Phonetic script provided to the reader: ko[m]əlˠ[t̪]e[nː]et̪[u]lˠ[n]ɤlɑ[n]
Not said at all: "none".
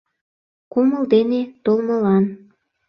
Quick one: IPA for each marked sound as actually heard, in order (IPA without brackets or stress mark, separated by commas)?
m, d̪, n, o, m, n